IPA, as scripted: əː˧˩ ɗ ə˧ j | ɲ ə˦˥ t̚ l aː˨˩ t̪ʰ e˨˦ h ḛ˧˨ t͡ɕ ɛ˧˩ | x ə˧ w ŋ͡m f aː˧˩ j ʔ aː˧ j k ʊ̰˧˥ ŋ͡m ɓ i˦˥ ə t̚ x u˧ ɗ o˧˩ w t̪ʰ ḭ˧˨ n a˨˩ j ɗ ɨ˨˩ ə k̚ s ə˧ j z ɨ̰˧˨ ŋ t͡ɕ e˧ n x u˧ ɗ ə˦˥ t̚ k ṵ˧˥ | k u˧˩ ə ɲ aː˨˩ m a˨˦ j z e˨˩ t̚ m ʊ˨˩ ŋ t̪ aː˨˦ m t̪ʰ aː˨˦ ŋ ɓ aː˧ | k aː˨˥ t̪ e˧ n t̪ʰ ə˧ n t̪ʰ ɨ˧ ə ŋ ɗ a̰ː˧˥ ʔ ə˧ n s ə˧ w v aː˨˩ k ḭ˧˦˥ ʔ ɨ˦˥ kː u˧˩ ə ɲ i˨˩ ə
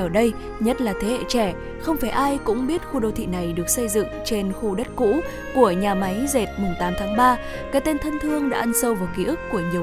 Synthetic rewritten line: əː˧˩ ɗ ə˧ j | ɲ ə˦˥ t̚ l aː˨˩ t̪ʰ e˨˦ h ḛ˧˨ t͡ɕ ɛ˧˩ | x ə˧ w ŋ͡m f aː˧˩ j ʔ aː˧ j k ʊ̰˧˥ ŋ͡m ɓ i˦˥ ə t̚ x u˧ ɗ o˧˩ w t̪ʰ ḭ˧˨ n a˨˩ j ɗ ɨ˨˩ ə k̚ s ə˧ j z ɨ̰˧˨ ŋ t͡ɕ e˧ n x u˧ ɗ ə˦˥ t̚ k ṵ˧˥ | k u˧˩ ə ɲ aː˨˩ m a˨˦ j z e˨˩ t̚ m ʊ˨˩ ŋ t̪ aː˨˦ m t̪ʰ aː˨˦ ŋ ɓ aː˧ | k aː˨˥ t̪ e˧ n t̪ʰ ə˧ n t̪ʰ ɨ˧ ə ŋ ɗ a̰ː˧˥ ʔ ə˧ n s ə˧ w v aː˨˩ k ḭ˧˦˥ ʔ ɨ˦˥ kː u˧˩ ə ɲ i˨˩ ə